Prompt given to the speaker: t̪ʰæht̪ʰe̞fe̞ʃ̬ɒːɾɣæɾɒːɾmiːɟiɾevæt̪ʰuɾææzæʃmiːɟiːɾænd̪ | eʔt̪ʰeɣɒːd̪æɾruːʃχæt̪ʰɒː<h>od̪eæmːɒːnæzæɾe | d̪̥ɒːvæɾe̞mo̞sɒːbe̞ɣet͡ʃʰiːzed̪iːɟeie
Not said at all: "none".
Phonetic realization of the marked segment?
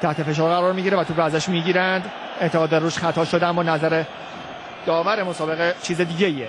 ʃ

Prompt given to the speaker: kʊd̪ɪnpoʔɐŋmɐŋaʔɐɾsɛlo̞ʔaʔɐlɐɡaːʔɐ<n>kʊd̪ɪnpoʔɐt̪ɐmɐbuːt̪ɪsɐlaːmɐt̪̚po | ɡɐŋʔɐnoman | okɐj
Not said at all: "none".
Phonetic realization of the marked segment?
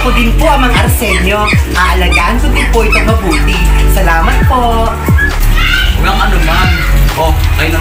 n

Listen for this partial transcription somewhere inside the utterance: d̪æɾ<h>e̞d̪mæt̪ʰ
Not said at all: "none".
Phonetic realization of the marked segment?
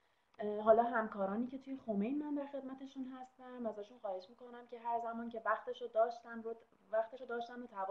x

